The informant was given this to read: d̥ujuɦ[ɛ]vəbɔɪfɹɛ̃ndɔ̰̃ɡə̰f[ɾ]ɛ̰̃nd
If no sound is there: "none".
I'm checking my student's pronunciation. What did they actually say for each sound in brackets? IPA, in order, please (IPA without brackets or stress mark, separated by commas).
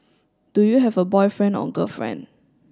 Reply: ɛ, ɹ